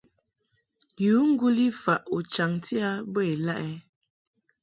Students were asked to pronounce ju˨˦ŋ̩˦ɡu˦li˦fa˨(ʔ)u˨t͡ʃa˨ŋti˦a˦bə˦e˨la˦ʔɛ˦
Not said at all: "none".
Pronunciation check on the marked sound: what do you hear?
ʔ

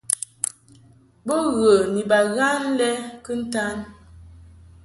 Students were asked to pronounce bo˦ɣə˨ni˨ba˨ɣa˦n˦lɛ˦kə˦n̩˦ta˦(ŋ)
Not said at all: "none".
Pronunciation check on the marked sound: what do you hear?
n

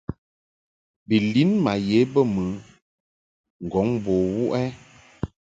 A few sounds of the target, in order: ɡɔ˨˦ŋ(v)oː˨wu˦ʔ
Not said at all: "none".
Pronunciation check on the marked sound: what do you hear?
b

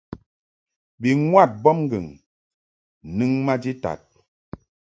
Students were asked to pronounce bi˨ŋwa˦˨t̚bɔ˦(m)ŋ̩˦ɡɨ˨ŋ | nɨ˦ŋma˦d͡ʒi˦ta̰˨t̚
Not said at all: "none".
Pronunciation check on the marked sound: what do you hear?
m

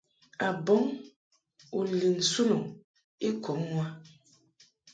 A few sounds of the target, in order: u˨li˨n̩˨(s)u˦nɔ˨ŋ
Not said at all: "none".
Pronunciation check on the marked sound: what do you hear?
s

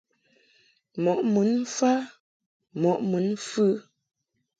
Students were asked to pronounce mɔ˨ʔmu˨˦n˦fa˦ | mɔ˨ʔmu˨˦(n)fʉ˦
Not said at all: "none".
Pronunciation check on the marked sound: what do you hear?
n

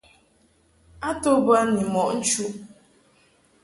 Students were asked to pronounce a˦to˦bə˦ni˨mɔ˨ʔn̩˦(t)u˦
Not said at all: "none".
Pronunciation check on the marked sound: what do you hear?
t͡ʃ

